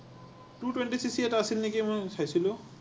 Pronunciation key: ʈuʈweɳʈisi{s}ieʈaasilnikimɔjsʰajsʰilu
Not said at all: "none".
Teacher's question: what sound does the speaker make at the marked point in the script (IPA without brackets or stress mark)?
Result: s